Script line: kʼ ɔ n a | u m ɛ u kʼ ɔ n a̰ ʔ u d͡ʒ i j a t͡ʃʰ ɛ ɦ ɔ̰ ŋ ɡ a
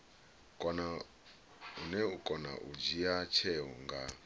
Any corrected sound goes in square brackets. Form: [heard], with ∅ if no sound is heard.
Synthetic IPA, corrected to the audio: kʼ ɔ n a | u [n] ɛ u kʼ ɔ n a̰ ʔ u d͡ʒ i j a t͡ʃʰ ɛ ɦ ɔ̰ ŋ ɡ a